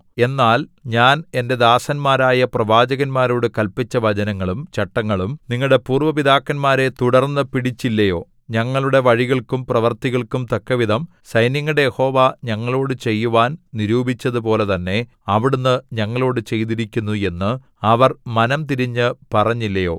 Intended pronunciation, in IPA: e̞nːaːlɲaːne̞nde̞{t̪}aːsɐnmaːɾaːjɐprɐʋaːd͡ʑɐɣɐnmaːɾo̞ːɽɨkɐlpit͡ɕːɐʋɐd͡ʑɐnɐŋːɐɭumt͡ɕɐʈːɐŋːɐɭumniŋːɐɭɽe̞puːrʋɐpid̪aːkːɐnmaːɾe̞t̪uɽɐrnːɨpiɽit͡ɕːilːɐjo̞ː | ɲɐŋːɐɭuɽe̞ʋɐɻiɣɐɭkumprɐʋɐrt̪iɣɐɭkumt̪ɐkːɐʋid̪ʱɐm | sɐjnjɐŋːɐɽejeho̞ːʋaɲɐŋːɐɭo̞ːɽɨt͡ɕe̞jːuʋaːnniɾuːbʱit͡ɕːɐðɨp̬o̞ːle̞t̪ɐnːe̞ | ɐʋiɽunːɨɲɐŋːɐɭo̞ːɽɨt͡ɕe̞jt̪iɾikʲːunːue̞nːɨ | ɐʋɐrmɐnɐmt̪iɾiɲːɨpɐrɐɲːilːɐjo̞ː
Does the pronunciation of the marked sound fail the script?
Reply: yes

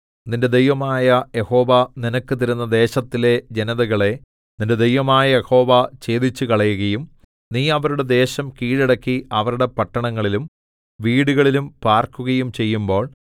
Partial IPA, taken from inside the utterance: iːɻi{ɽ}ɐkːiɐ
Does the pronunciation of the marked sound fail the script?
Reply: no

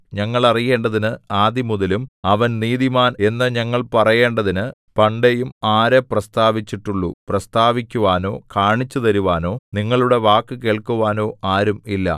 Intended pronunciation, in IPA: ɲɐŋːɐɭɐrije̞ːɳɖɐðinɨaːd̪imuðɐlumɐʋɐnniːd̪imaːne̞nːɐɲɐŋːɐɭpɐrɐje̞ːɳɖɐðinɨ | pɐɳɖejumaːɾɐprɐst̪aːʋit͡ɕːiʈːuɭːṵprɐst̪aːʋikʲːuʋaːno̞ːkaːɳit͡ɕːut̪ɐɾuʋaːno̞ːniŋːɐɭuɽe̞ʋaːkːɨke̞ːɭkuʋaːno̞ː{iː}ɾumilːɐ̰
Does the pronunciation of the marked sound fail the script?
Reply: yes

